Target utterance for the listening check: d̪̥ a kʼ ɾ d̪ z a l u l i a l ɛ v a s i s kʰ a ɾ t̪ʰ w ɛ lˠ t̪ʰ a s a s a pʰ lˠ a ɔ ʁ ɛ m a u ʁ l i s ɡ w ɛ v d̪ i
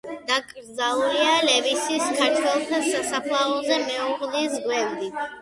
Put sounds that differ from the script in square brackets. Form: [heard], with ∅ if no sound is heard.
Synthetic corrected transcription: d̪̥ a kʼ ɾ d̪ z a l u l i a l ɛ v [i] s i s kʰ a ɾ t̪ʰ w ɛ lˠ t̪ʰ a s a s a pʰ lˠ a ɔ [z] ɛ m [ɛ] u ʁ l i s ɡ w ɛ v d̪ i